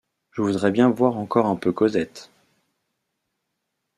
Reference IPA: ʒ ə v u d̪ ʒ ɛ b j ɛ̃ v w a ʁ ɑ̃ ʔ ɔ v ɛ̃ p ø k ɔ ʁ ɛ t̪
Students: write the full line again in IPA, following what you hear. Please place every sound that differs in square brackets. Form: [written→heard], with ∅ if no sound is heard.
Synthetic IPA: ʒ ə v u d̪ [ʒ→ʁ] ɛ b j ɛ̃ v w a ʁ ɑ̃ [ʔ→k] ɔ [v→ʁ] ɛ̃ p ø k ɔ [ʁ→z] ɛ t̪

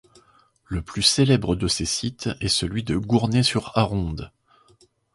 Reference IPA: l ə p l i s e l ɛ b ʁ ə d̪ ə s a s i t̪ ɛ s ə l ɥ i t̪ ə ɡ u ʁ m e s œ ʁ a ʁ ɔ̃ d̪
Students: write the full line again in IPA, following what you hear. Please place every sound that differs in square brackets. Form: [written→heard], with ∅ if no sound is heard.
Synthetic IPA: l ə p l [i→y] s e l ɛ b ʁ ə d̪ ə s [a→e] s i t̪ ɛ s ə l ɥ i [t̪→d̪] ə ɡ u ʁ [m→n] e s [œ→y] ʁ a ʁ ɔ̃ d̪

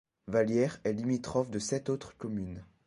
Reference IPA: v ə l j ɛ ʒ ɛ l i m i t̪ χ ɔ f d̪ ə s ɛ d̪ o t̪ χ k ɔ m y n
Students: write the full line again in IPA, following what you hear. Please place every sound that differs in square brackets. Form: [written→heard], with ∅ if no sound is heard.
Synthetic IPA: v [ə→a] l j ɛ [ʒ→ʁ] ɛ l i m i t̪ χ ɔ f d̪ ə s ɛ [d̪→t̪] o t̪ χ k ɔ m y n

